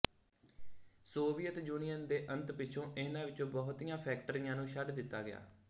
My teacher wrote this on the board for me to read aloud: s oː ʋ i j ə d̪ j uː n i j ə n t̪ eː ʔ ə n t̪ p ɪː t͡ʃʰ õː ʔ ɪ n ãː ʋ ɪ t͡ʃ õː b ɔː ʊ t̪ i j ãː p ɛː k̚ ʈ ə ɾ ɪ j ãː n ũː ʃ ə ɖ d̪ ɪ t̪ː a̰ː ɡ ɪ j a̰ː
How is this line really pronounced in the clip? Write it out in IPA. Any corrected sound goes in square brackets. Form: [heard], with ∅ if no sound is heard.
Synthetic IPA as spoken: s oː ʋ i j ə [t̪] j uː n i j ə n [d̪] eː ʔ ə n t̪ p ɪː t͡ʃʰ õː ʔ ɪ n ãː ʋ ɪ t͡ʃ õː b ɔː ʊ t̪ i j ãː [pʰ] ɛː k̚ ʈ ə ɾ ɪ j ãː n ũː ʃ ə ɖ d̪ ɪ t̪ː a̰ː ɡ ɪ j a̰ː